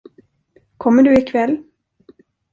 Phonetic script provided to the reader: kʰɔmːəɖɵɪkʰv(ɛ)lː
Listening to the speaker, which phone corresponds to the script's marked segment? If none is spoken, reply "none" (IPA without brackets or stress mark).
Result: ɛ